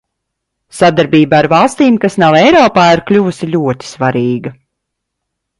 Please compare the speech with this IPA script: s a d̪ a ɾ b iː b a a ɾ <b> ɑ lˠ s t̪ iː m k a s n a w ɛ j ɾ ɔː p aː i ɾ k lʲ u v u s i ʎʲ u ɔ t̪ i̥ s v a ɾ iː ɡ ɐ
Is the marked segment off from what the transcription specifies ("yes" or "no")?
yes